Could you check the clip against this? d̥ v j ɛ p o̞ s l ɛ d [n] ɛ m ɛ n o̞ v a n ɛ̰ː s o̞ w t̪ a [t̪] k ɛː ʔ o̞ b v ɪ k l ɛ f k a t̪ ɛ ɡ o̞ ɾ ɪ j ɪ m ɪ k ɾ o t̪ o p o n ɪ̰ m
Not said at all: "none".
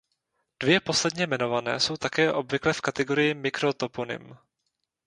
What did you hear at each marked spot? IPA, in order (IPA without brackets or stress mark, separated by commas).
ɲ, none